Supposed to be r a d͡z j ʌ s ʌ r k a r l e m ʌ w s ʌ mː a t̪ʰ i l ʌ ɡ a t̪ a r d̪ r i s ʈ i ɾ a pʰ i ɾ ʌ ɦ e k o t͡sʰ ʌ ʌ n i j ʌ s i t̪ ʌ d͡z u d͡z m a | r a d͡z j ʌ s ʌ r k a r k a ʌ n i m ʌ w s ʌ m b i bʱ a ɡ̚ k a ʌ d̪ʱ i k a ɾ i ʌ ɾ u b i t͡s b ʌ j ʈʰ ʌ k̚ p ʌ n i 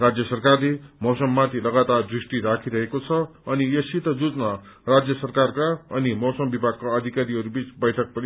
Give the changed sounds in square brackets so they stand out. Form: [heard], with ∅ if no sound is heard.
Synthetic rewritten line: r a d͡z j ʌ s ʌ r k a r l e m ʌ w s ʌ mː a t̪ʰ i l ʌ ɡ a t̪ a r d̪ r i s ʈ i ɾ a [kʰ] i ɾ ʌ ɦ e k o t͡sʰ ʌ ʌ n i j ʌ s i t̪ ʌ d͡z u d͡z [n] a | r a d͡z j ʌ s ʌ r k a r k a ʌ n i m ʌ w s ʌ m b i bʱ a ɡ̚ k a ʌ d̪ʱ i k a ɾ i ʌ ɾ u b i t͡s b ʌ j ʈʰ ʌ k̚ p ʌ n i